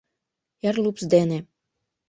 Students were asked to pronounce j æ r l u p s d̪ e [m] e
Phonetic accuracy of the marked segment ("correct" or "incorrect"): incorrect